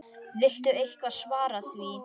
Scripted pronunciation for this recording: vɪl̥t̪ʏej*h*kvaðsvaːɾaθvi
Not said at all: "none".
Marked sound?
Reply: h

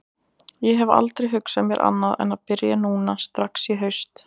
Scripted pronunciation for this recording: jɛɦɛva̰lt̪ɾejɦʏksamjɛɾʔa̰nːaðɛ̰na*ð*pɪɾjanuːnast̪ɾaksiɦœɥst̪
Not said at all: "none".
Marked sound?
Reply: ð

